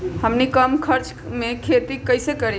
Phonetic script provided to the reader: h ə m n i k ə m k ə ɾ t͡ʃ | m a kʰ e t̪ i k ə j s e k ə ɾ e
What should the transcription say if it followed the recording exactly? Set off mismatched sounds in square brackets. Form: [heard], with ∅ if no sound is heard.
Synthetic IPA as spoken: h ə m n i k ə m [kʰ] ə ɾ t͡ʃ | m [e] kʰ e t̪ i k ə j s e k ə ɾ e